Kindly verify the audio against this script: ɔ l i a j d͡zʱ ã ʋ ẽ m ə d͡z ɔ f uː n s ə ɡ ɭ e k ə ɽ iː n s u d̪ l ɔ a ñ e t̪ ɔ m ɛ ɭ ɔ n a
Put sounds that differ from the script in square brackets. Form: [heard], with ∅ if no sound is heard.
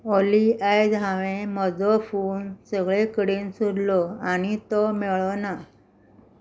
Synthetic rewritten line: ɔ l i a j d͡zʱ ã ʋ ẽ m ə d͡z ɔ f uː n s ə ɡ ɭ e k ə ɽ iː n s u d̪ l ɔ a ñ [i] t̪ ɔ m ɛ ɭ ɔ n a

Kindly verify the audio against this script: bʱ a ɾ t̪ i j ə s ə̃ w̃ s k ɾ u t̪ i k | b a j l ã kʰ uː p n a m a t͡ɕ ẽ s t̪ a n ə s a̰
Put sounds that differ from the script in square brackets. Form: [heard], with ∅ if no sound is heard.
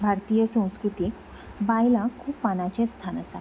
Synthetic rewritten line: bʱ a ɾ t̪ i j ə s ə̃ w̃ s k ɾ u t̪ i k | b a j l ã kʰ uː p [m] a [n] a t͡ɕ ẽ s [t̪ʰ] a n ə s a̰

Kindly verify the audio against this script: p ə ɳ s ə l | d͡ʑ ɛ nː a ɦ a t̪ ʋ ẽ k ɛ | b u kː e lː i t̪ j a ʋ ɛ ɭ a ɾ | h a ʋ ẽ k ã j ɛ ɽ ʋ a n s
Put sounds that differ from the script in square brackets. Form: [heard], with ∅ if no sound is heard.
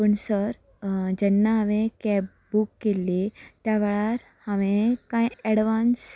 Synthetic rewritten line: p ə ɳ s ə [ɾ] | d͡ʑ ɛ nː a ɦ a [∅] ʋ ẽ k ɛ | b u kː e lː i t̪ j a ʋ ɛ ɭ a ɾ | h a ʋ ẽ k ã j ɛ ɽ ʋ a n s

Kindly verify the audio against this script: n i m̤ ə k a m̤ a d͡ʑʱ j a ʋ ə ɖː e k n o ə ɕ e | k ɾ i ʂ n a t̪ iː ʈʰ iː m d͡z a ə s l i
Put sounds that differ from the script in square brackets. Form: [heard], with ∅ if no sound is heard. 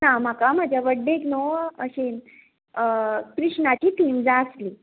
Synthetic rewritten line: n [a] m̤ [a] k a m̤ a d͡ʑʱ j a ʋ ə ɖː e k n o ə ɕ e | k ɾ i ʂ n a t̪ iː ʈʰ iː m d͡z a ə s l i

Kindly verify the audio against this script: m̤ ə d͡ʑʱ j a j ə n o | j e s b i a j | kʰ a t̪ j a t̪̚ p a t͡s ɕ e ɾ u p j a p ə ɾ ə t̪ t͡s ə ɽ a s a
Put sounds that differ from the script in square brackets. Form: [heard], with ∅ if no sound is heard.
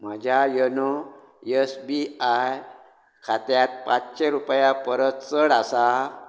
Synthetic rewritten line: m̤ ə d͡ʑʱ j a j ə n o | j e s b i a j | kʰ a t̪ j a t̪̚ p a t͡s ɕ e ɾ u p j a p ə ɾ ə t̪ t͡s ə ɽ a s a

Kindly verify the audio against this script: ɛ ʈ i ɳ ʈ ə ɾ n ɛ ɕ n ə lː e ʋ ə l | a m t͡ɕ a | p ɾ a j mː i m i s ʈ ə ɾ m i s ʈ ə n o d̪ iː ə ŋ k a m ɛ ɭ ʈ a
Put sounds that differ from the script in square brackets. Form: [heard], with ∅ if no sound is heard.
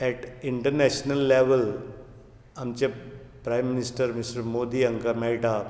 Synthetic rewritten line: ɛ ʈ i ɳ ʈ ə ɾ n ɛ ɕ n ə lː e ʋ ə l | a m t͡ɕ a | p ɾ a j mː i [n] i s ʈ ə ɾ m i s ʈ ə [m] o d̪ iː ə ŋ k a m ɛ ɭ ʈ a

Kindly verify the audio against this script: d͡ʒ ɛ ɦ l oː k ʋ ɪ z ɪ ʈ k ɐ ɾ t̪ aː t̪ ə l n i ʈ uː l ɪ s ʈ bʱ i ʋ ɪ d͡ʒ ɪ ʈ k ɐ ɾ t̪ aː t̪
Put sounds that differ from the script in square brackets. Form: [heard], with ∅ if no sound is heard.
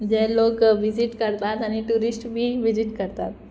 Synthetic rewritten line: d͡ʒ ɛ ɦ l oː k ʋ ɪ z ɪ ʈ k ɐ ɾ t̪ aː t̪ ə [∅] n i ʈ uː [ɾ] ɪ s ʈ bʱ i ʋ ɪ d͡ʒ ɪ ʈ k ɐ ɾ t̪ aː t̪

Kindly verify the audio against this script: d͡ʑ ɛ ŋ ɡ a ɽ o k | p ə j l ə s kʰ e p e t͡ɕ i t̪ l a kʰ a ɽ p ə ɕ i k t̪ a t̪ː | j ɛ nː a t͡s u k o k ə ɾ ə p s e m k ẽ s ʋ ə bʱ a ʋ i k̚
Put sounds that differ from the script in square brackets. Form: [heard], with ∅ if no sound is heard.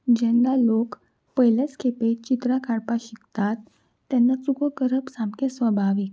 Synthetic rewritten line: d͡ʑ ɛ ŋ ɡ a [l] o k | p ə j l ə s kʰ e p e t͡ɕ i t̪ [ɾ] a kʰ a ɽ p [a] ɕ i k t̪ a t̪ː | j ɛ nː a t͡s u k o k ə ɾ ə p s [a] m k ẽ s ʋ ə bʱ a ʋ i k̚

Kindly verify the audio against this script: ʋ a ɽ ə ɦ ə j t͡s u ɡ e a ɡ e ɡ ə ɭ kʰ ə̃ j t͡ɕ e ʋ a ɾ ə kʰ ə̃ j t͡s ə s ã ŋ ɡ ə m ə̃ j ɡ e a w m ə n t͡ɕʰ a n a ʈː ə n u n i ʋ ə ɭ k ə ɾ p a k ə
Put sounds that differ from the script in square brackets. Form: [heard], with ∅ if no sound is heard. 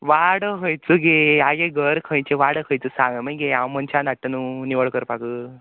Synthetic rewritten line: ʋ a ɽ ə ɦ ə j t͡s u ɡ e a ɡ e ɡ ə [ɾ] kʰ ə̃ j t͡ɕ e ʋ a [ɽ] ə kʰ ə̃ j t͡s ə s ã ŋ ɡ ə m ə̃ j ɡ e a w m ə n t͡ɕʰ a n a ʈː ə n u n i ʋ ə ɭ k ə ɾ p a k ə

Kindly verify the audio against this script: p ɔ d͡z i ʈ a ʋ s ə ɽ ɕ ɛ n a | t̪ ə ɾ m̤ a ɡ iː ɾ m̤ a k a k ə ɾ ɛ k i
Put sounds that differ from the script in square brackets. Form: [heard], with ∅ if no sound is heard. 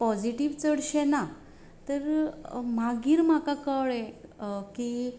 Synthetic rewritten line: p ɔ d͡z i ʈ [i] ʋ [t͡s] ə ɽ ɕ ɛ n a | t̪ ə ɾ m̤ a ɡ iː ɾ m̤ a k a k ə [ɭ] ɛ k i

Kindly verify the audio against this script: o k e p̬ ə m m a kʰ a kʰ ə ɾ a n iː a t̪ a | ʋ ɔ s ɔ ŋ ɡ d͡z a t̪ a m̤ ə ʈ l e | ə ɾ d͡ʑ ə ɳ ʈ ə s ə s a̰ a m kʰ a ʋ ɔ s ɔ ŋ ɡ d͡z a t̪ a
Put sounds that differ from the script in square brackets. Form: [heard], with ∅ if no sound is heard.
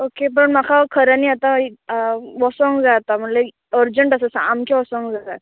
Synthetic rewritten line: o k e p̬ ə [ɳ] m a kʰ a kʰ ə ɾ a n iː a t̪ a | ʋ ɔ s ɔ ŋ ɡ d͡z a t̪ a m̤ ə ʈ l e | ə ɾ d͡ʑ ə ɳ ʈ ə s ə s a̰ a m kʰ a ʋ ɔ s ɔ ŋ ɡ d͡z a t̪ a

